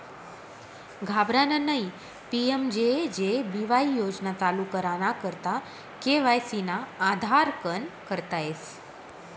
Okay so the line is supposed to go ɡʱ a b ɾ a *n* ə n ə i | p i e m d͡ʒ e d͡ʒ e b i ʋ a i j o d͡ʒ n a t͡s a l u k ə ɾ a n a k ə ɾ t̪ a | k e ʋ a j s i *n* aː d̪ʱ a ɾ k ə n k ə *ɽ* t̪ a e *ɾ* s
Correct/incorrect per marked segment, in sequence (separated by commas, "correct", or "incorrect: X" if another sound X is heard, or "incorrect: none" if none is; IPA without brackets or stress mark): correct, correct, incorrect: ɾ, incorrect: none